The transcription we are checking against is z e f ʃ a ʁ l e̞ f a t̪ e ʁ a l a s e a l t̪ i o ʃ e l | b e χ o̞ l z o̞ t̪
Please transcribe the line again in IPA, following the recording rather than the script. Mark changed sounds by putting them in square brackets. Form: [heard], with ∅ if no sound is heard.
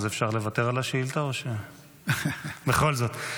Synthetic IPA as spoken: z e f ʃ a ʁ l e̞ [v] a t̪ e ʁ a l a [ʃ] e [i] l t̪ [a] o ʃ e [∅] | b e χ o̞ l z o̞ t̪